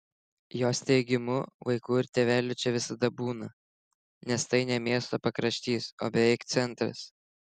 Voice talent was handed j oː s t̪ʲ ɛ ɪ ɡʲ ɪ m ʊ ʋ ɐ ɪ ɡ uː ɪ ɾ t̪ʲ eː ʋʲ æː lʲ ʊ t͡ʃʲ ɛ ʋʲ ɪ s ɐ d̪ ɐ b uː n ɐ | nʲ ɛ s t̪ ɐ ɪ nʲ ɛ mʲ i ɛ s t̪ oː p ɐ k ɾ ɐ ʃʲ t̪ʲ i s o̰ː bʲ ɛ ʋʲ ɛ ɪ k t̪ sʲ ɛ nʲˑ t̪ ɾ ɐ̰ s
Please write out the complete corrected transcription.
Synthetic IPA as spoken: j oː s t̪ʲ ɛ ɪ ɡʲ ɪ m ʊ ʋ ɐ ɪ k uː ɪ ɾ t̪ʲ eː ʋʲ æː lʲ ʊ t͡ʃʲ ɛ ʋʲ ɪ s ɐ d̪ ɐ b uː n ɐ | nʲ ɛ s t̪ ɐ ɪ nʲ ɛ mʲ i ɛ s t̪ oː p ɐ k ɾ ɐ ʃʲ t̪ʲ iː s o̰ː bʲ ɛ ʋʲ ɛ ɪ k t̪ sʲ ɛ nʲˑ t̪ ɾ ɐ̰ s